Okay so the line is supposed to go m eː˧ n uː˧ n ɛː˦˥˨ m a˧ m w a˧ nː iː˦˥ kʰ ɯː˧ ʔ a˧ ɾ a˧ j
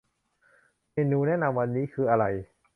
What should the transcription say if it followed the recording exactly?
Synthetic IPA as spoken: m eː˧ n uː˧ n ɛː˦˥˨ n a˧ m w a˧ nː iː˦˥ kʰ ɯː˧ ʔ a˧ ɾ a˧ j